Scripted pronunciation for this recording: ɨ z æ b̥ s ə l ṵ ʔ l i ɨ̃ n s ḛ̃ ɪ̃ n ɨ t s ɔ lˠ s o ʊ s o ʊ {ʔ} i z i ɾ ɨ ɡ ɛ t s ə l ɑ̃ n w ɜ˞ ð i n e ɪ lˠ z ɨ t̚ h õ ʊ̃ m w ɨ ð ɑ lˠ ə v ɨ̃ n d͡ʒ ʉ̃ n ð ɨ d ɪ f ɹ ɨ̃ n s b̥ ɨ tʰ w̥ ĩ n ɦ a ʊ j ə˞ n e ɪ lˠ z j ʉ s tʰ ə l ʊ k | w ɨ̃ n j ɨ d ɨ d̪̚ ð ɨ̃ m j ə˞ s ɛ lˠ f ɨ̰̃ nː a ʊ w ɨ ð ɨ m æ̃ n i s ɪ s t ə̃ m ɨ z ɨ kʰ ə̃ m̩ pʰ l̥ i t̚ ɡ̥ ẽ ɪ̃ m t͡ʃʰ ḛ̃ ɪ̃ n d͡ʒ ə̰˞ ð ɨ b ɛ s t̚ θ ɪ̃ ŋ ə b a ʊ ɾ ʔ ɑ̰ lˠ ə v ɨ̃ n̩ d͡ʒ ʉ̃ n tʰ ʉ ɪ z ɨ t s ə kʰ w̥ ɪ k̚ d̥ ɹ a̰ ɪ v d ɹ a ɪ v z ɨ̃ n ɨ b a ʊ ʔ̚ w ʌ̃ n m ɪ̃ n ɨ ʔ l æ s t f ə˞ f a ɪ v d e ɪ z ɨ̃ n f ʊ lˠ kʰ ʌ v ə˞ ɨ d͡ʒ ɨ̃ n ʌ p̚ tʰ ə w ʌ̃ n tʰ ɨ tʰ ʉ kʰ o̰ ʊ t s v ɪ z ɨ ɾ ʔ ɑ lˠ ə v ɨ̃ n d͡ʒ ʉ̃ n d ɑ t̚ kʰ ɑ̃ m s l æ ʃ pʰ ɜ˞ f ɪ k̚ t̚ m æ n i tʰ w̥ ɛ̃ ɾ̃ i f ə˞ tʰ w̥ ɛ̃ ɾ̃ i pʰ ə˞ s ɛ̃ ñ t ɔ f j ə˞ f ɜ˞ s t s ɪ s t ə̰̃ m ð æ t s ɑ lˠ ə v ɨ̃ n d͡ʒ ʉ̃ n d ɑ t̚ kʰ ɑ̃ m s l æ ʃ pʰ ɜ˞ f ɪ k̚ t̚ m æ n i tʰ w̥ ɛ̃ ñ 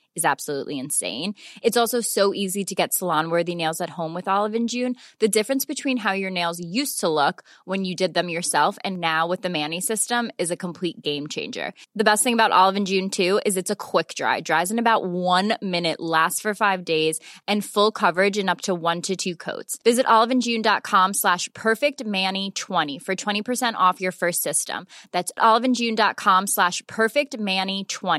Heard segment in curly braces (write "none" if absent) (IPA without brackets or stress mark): ʔ